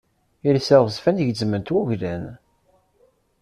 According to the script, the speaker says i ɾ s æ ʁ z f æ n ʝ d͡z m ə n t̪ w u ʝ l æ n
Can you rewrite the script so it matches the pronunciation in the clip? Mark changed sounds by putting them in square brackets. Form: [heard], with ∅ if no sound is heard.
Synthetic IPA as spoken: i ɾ s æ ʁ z f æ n ʝ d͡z m ə n t̪ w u ʝ l æ n